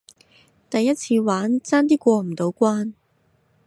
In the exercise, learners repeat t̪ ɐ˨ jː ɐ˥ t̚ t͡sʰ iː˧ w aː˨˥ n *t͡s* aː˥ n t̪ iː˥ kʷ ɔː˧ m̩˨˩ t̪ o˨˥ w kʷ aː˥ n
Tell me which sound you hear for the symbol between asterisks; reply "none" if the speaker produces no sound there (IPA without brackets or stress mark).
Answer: t͡s